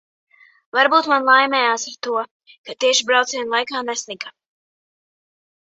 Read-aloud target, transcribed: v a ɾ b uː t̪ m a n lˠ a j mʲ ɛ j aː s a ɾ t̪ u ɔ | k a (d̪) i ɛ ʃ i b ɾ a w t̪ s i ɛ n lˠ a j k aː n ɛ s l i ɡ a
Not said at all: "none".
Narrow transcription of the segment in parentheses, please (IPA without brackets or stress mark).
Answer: t̪